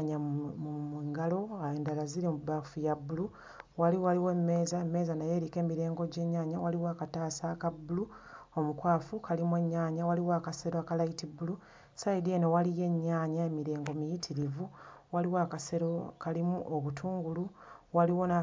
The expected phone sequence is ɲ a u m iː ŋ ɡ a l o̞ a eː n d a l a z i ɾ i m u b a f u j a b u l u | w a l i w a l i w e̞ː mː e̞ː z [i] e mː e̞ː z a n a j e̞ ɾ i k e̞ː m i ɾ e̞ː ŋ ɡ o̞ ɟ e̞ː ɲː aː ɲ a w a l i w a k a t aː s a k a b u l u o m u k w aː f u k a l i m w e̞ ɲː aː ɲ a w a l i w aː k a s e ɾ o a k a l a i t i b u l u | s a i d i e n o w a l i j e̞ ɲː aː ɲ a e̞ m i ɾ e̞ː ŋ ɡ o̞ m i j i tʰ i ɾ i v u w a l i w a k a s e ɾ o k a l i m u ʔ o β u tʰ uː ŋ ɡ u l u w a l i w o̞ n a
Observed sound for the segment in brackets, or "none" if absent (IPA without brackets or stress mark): a